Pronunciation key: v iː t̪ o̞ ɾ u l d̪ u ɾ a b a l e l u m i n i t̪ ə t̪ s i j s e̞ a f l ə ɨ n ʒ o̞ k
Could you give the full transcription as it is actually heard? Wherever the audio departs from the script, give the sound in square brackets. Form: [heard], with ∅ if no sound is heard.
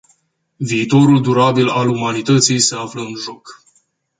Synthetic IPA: v iː t̪ o̞ ɾ u l d̪ u ɾ a b [i] l [a] l u m [a] n i t̪ ə t̪ s i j s e̞ a f l ə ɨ n ʒ o̞ k